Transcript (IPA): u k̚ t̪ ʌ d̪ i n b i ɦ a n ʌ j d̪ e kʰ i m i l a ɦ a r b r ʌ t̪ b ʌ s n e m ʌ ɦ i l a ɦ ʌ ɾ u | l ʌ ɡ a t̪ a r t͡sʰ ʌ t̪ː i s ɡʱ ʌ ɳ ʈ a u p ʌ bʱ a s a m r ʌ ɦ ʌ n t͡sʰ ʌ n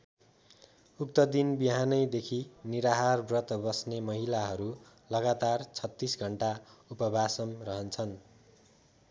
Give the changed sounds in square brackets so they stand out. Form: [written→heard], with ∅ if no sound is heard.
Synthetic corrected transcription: u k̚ t̪ ʌ d̪ i n b i ɦ a n ʌ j d̪ e kʰ i [m→n] i [l→ɾ] a ɦ a r b r ʌ t̪ b ʌ s n e m ʌ ɦ i l a ɦ ʌ ɾ u | l ʌ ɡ a t̪ a r t͡sʰ ʌ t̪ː i s ɡʱ ʌ ɳ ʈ a u p ʌ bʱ a s [a→ʌ] m r ʌ ɦ ʌ n t͡sʰ ʌ n